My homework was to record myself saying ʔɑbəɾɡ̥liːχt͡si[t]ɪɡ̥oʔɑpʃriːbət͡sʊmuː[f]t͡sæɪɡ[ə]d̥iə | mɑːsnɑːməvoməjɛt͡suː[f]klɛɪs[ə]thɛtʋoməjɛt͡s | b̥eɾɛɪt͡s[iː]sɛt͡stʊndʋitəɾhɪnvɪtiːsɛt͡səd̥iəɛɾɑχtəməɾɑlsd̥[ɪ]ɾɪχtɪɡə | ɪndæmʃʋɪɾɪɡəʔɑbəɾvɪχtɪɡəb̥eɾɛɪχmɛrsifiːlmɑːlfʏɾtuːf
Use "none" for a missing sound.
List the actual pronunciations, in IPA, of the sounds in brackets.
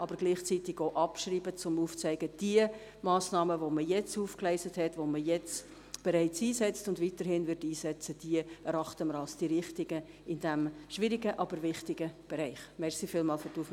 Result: t, f, ə, f, ə, iː, i

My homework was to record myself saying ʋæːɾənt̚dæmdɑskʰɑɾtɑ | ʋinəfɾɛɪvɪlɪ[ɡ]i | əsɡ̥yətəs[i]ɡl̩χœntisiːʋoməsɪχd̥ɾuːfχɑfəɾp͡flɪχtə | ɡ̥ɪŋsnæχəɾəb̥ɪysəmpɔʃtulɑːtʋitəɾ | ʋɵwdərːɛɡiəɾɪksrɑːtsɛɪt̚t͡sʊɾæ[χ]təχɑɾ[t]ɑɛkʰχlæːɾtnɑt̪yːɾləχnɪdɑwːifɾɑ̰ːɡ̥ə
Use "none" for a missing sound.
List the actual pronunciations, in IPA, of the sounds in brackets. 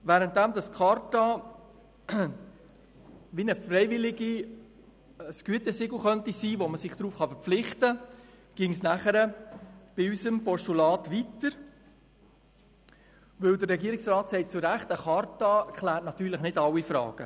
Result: ɡ, ɪ, χ, t

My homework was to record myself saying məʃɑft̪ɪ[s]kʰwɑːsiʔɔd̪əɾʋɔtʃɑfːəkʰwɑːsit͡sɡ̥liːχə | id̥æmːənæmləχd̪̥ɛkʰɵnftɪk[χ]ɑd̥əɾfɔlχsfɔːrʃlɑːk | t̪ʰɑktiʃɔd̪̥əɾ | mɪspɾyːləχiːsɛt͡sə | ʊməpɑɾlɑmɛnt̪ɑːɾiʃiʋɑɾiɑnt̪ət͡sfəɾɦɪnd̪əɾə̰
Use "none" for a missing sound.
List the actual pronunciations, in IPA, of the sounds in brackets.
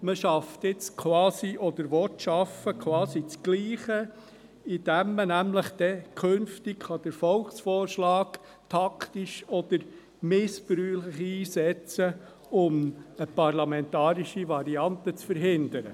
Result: t͡s, χ

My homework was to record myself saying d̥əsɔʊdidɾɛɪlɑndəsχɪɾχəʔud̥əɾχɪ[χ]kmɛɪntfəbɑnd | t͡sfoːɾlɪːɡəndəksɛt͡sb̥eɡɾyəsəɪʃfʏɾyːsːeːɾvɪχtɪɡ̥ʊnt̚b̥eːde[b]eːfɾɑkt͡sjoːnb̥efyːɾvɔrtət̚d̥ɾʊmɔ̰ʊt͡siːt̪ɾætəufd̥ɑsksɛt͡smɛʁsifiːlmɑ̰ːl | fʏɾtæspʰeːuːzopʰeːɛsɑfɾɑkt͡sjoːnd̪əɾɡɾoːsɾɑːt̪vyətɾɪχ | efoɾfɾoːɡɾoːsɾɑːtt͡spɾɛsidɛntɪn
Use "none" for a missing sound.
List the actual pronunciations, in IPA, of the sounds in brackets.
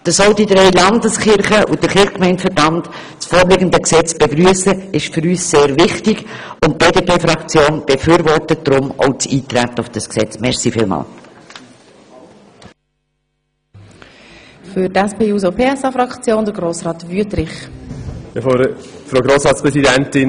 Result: χ, p

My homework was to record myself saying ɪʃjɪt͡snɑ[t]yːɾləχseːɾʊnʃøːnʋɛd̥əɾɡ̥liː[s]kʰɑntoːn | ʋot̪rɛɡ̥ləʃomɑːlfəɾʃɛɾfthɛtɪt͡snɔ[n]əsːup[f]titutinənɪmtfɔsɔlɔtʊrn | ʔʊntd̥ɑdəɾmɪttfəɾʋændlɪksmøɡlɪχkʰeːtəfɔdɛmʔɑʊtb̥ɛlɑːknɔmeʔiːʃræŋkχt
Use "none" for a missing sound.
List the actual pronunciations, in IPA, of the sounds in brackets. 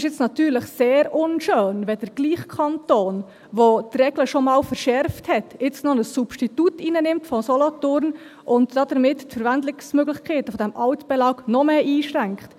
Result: t, χ, n, ʃ

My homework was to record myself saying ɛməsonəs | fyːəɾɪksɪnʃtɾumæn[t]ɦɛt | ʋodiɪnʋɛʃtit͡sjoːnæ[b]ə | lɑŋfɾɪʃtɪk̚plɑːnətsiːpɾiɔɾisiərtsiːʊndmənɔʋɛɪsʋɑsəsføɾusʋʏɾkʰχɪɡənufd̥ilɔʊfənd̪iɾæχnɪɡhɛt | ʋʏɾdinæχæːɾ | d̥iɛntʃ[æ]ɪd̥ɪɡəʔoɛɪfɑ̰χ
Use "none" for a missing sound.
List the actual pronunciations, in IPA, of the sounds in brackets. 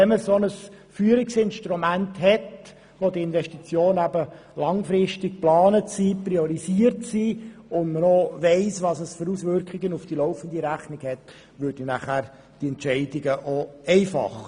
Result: t, b, ɛ

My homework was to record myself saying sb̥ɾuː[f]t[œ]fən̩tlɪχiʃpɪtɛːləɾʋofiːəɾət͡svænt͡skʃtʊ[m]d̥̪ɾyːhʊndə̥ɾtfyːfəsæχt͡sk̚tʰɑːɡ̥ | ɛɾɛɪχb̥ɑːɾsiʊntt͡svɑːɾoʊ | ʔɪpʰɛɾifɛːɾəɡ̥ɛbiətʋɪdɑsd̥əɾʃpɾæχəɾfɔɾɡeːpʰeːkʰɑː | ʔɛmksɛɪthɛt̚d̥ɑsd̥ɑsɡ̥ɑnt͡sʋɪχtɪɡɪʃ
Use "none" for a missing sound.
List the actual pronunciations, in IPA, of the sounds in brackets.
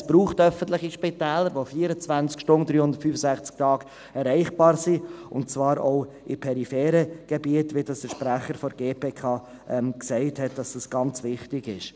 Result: χ, œ, n

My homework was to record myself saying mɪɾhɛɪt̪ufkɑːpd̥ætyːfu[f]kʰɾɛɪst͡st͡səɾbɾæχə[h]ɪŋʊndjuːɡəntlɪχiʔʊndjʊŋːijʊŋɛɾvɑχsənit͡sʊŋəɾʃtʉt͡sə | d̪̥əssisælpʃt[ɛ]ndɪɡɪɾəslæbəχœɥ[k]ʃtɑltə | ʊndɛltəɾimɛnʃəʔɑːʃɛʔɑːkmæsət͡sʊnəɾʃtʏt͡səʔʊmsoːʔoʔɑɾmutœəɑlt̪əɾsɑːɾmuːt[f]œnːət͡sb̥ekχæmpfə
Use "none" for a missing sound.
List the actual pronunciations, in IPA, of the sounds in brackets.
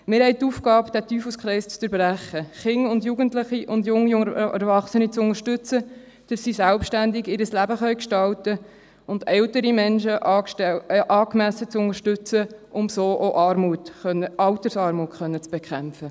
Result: s, χ, æ, k, χ

